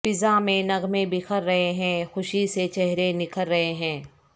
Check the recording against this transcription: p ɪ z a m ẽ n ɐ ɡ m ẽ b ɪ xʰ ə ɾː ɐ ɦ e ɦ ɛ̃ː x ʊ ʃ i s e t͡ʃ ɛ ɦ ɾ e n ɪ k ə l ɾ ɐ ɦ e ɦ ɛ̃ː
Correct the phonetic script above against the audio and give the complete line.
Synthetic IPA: p ɪ z a m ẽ n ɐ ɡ m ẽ b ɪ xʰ ə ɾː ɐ ɦ e ɦ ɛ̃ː x ʊ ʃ i s e t͡ʃ ɛ ɦ ɾ e n ɪ k ə l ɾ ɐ ɦ e ɦ ɛ̃ː

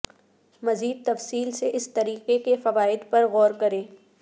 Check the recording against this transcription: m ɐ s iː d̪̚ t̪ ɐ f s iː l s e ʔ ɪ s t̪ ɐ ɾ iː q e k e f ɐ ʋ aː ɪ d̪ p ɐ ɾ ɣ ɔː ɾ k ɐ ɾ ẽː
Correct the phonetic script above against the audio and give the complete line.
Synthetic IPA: m ɐ z iː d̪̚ t̪ ɐ f s iː l s e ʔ ɪ s t̪ ɐ ɾ iː q e k e f ɐ ʋ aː ɪ d̪ p ɐ ɾ ɣ ɔː ɾ k ɐ ɾ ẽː

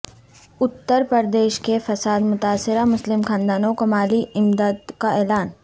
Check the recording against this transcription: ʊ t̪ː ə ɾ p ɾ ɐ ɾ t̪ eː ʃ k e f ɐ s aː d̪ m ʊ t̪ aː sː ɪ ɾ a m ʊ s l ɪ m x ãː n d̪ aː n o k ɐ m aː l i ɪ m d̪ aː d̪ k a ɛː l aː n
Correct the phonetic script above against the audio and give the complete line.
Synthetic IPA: ʊ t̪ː ə ɾ p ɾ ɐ ɾ d̪ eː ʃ k e f ɐ s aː d̪ m ʊ t̪ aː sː ɪ ɾ a m ʊ s l ɪ m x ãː n d̪ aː n o k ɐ m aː l i ɪ m d̪ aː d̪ k a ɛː l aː n

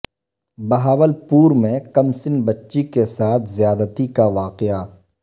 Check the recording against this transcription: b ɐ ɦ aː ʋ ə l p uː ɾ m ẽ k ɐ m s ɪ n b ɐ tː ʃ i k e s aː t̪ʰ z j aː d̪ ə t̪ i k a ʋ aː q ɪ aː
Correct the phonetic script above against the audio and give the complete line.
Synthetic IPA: b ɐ ɦ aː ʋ ə l p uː ɾ m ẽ k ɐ m s ɪ n b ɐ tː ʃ i k e s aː t̪ʰ z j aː d̪ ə t̪ i k a ʋ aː q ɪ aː

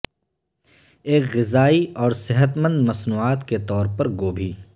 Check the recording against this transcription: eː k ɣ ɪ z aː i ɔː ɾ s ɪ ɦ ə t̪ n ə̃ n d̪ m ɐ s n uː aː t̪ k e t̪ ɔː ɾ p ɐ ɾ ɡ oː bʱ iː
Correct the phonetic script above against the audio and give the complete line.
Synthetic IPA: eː k ɣ ɪ z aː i ɔː ɾ s ɪ ɦ ə t̪ m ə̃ n d̪ m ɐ s n uː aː t̪ k e t̪ ɔː ɾ p ɐ ɾ ɡ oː bʱ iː

